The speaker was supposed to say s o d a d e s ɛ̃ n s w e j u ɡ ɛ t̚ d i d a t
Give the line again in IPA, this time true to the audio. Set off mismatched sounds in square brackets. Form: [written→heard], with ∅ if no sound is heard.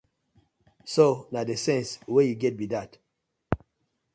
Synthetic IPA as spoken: s o [d→n] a d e s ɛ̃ n s w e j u ɡ ɛ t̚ [d→b] i d a t

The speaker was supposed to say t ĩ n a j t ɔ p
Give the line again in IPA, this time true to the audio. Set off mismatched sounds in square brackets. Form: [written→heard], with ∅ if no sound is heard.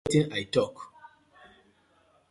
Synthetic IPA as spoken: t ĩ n a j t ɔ [p→k]

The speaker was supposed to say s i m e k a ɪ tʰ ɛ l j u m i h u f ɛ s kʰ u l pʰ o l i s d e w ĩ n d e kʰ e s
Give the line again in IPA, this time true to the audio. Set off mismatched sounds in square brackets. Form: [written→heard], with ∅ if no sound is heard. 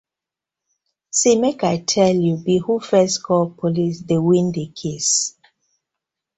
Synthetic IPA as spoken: s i m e k a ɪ tʰ ɛ l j u [m→b] i h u f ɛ s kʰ [u→ɔ] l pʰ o l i s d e w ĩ n d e kʰ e s

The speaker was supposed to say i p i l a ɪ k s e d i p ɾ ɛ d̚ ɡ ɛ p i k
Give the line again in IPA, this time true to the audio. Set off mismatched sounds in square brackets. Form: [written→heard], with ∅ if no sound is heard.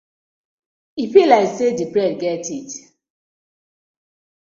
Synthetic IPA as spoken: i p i l a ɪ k s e d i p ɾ ɛ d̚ ɡ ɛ [p→t] i [k→t]

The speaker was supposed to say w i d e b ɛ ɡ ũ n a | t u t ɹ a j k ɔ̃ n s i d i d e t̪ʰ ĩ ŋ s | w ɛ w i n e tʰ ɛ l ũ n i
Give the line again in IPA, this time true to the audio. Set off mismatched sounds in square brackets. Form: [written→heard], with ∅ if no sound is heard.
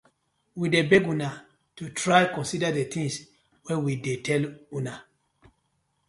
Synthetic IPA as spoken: w i d e b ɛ ɡ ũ n a | t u t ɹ a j k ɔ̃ n s i d [i→a] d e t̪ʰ ĩ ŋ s | w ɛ w i [n→d] e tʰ ɛ l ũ n [i→a]

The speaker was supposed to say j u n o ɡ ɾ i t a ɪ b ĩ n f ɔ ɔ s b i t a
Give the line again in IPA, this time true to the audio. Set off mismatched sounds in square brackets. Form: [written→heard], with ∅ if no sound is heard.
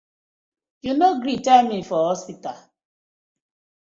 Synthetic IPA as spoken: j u n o ɡ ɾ i t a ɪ [b→m] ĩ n f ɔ ɔ s [b→p] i t a

